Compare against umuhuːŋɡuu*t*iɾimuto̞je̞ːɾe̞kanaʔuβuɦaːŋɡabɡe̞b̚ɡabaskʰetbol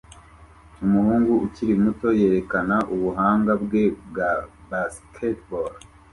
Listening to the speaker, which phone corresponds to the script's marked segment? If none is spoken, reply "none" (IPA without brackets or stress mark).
c